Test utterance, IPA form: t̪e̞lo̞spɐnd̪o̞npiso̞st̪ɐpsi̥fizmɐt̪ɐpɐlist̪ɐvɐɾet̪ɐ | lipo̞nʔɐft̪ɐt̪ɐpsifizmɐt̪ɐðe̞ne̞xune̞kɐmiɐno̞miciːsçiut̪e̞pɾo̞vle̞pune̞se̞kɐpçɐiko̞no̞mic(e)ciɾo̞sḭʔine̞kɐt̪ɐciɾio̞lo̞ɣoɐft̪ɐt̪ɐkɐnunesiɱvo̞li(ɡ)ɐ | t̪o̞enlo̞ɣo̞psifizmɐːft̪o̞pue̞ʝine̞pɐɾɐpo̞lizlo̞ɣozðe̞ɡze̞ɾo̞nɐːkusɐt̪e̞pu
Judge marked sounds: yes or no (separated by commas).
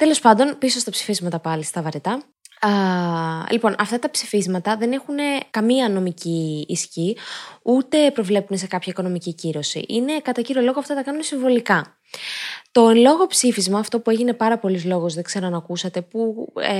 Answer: no, no